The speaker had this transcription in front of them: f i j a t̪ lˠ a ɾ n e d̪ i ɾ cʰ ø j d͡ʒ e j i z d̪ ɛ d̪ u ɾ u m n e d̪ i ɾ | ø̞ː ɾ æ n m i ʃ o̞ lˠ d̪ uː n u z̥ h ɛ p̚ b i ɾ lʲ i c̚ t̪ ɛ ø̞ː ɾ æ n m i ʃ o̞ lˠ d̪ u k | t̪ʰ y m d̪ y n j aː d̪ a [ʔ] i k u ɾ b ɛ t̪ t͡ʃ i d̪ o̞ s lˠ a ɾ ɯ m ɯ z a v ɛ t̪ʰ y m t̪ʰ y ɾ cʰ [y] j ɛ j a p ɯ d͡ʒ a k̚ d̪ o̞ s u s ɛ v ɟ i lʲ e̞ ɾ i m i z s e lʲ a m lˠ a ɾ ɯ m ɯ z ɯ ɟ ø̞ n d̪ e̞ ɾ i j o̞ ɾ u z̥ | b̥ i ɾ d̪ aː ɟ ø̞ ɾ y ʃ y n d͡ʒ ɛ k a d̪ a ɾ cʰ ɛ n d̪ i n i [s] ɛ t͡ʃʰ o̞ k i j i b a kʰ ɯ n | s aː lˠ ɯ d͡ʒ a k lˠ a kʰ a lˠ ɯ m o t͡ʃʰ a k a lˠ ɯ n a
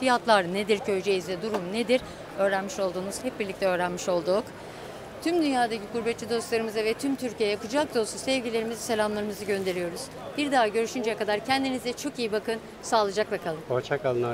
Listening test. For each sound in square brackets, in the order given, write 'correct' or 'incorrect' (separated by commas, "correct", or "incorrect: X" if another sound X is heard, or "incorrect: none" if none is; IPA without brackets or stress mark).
incorrect: c, incorrect: i, incorrect: z